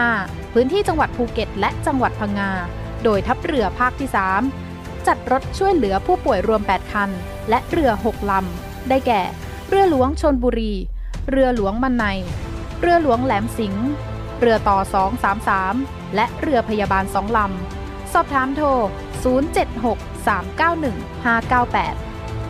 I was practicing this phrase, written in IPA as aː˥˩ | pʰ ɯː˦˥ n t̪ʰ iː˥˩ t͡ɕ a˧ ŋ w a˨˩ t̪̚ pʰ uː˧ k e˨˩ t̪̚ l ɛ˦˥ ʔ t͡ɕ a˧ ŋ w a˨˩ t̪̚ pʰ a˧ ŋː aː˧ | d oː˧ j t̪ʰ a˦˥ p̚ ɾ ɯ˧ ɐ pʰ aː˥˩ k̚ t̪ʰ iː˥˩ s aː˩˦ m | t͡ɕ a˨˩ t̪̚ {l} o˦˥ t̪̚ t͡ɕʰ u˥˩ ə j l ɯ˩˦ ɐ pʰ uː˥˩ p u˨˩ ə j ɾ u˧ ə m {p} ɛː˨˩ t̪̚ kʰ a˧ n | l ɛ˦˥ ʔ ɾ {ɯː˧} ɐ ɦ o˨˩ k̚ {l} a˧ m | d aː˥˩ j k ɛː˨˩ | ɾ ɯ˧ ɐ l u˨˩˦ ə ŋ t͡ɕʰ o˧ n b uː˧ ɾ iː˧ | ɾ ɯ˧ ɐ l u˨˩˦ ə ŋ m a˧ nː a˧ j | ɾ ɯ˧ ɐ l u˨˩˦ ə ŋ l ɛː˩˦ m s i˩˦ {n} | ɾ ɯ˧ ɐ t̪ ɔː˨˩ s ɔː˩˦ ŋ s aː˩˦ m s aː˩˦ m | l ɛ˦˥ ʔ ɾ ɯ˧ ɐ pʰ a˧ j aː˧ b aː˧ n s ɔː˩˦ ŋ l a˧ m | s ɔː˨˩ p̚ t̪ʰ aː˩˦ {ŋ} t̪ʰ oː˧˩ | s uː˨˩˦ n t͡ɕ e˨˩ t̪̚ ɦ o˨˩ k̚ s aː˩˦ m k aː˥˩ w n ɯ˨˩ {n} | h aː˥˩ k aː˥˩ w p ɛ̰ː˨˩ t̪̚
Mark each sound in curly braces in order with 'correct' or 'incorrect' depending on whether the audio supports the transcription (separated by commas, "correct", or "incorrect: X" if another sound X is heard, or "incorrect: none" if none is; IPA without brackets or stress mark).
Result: incorrect: ɾ, correct, incorrect: ɯ˧, correct, incorrect: ŋ, incorrect: m, incorrect: ŋ